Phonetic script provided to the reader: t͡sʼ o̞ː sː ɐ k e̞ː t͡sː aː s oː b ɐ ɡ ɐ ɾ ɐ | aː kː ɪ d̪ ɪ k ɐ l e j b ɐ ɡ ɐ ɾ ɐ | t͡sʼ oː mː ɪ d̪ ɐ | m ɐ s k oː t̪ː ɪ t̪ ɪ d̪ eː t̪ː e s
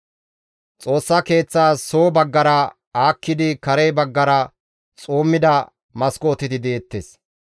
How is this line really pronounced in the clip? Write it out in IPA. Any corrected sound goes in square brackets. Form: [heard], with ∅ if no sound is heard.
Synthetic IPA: t͡sʼ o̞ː sː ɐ k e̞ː t͡sː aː s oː b ɐ [ɡː] ɐ ɾ ɐ | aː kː ɪ d̪ ɪ k ɐ [ɾ] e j b ɐ [ɡː] ɐ ɾ ɐ | t͡sʼ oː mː ɪ d̪ ɐ | m ɐ s k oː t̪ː ɪ t̪ ɪ d̪ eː t̪ː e s